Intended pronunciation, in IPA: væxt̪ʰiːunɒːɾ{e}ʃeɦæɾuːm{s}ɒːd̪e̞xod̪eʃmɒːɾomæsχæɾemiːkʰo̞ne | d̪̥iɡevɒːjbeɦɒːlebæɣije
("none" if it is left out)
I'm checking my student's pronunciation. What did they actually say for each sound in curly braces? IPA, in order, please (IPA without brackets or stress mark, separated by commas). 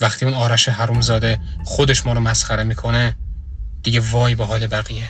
æ, z